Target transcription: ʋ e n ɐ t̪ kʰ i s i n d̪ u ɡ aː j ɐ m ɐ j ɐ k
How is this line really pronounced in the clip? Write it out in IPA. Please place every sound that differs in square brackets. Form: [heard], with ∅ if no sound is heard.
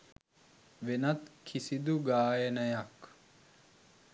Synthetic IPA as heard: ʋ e n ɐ t̪ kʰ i s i [∅] d̪ u ɡ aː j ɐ [n] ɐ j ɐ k